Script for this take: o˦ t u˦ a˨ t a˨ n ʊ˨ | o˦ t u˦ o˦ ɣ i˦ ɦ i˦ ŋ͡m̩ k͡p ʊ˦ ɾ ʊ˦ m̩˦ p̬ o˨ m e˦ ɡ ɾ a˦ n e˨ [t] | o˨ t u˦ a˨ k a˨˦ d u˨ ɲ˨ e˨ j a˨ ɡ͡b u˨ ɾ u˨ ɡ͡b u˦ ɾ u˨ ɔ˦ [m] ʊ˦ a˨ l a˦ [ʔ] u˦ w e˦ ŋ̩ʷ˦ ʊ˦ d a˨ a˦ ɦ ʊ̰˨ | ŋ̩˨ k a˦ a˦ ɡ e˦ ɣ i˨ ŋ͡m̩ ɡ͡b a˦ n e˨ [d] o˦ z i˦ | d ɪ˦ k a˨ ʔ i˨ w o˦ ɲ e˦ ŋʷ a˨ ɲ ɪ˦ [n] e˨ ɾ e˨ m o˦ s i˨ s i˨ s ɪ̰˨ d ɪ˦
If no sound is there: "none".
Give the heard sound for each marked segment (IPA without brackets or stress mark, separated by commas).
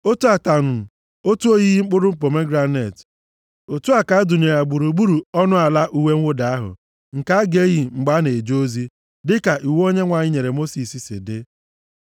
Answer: t, n, ʔ, d͡ʒ, ɲ